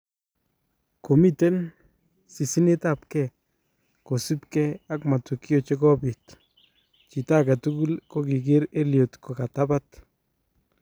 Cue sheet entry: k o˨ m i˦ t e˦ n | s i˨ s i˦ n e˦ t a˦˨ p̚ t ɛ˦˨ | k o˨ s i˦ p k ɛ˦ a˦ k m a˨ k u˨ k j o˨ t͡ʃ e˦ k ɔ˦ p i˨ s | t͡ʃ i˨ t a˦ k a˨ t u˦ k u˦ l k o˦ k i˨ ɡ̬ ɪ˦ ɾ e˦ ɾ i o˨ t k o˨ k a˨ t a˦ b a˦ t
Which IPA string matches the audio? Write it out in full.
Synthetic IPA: k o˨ m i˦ t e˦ n | s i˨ s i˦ n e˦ t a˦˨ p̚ k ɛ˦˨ | k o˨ s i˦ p k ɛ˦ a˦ k m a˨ t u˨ k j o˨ t͡ʃ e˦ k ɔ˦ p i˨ t | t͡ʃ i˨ t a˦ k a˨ t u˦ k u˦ l k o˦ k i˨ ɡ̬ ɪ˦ ɾ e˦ l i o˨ t k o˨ k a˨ t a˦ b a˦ t